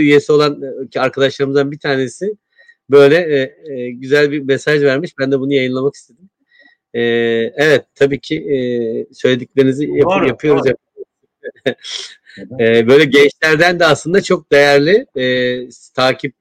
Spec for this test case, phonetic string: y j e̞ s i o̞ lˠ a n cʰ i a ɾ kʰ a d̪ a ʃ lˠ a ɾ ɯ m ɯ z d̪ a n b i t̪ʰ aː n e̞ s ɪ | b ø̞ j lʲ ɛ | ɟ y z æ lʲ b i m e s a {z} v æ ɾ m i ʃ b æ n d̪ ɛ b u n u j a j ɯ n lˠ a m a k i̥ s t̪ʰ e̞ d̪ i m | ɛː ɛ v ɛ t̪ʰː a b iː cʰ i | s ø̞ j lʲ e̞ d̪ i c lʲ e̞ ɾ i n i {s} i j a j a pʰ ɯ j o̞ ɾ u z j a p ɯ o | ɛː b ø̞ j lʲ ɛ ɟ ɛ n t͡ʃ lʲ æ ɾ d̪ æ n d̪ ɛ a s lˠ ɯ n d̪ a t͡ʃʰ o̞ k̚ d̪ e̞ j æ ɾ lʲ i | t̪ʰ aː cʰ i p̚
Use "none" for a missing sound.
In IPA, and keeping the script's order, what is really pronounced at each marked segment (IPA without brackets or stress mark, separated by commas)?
ʒ, z